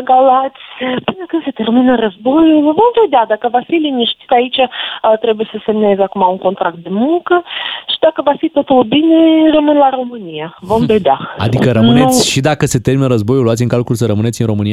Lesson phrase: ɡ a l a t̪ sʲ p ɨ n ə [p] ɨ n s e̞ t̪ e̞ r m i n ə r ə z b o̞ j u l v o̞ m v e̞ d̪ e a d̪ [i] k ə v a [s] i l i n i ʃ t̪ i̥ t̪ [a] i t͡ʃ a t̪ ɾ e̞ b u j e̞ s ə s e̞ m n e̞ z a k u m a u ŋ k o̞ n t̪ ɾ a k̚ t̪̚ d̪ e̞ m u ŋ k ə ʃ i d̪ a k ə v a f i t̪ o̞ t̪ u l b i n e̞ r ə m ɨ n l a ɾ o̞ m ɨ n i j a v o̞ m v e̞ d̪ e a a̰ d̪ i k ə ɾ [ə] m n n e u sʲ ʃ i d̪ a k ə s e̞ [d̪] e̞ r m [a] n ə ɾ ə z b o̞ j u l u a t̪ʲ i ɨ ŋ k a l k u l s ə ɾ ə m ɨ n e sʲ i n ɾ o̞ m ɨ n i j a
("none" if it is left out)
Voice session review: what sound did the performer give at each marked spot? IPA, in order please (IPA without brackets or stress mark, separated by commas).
k, a, f, a, ə, t̪, i